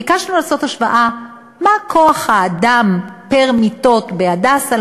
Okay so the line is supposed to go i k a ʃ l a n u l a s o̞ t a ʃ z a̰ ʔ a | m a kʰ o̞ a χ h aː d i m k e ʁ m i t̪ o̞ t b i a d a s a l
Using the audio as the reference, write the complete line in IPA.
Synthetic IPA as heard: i k a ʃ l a n u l a s o̞ t a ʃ v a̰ ʔ a | m a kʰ o̞ a χ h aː d a m p e ʁ m i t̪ o̞ t b e a d a s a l